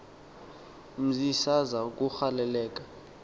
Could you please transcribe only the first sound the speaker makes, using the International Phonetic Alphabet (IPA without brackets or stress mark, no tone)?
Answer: m̩